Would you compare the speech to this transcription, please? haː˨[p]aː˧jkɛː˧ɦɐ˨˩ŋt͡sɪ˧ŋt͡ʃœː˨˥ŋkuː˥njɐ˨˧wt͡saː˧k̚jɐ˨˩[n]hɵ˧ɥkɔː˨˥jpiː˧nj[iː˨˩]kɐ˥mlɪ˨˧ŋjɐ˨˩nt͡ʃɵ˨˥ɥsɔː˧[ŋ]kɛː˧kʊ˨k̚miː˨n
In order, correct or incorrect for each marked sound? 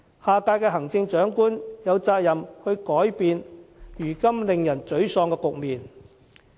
incorrect: k, incorrect: m, incorrect: yː˨˩, correct

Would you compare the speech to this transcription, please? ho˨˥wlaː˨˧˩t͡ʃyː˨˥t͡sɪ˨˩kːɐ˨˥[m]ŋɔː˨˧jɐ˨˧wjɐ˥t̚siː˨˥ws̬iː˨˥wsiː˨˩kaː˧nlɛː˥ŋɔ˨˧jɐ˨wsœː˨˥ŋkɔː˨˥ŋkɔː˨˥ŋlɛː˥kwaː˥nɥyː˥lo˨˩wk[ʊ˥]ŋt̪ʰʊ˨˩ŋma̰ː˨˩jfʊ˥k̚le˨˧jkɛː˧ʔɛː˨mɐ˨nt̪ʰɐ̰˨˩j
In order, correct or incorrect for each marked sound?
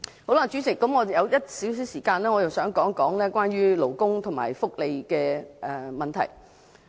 correct, correct

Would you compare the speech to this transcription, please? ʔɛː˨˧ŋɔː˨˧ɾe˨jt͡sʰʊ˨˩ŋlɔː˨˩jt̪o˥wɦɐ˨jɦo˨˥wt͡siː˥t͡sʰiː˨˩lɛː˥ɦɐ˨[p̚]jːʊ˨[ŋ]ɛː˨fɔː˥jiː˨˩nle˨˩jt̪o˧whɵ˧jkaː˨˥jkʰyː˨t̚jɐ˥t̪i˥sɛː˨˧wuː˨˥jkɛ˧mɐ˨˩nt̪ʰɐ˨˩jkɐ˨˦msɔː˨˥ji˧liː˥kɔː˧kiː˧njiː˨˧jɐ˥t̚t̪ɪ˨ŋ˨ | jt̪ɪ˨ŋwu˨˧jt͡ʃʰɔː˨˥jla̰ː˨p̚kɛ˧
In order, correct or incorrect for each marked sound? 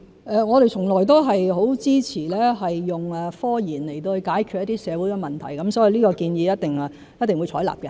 incorrect: none, correct

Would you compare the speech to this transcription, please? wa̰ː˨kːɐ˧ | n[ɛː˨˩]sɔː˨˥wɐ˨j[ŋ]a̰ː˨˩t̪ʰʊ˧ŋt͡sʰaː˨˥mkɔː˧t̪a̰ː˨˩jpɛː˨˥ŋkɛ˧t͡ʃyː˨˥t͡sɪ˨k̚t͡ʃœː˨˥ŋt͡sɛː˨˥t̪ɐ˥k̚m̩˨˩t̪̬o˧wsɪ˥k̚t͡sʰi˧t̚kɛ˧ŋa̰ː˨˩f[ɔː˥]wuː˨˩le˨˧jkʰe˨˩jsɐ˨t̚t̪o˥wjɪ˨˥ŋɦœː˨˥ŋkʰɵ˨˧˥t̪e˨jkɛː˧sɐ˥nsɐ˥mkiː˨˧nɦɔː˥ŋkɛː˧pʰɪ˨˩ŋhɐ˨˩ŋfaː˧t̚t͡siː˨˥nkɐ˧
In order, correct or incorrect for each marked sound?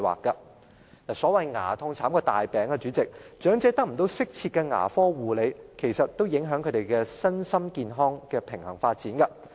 incorrect: aː˨˩, correct, correct

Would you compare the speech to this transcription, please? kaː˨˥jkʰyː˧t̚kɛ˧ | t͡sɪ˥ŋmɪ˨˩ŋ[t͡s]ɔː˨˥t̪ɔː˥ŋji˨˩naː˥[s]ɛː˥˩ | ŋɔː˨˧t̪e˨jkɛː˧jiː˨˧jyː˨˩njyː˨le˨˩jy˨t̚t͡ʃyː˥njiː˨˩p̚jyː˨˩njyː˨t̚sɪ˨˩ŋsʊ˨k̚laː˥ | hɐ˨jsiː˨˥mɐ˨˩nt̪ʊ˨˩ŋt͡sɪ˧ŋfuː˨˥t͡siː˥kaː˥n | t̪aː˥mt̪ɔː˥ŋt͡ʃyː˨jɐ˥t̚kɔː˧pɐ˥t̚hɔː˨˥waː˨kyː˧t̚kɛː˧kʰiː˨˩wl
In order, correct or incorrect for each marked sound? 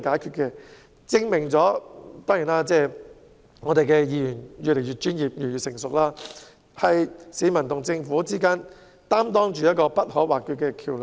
correct, incorrect: t͡s

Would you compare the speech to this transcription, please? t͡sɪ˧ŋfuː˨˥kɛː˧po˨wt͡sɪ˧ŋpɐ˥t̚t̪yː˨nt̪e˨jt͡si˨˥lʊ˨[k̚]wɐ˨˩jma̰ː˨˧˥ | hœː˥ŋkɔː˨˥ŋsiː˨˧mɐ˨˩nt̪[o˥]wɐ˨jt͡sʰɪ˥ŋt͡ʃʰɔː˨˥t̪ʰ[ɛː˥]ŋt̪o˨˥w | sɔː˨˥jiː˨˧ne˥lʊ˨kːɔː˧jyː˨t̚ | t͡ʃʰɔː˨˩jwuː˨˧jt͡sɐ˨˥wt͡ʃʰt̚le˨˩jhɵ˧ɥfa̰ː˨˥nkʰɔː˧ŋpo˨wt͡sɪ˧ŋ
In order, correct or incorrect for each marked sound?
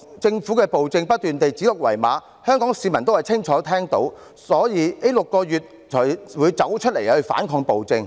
correct, correct, correct

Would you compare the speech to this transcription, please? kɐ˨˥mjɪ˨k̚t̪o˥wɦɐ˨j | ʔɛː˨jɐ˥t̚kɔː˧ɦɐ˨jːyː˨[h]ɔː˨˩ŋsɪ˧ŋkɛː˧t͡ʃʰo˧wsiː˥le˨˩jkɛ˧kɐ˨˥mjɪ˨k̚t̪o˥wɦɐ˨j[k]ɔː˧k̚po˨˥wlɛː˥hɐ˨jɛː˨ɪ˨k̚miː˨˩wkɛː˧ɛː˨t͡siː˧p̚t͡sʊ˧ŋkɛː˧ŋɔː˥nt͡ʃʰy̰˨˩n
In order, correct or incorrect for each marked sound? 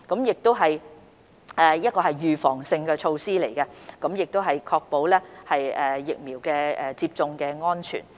incorrect: f, incorrect: kʰ

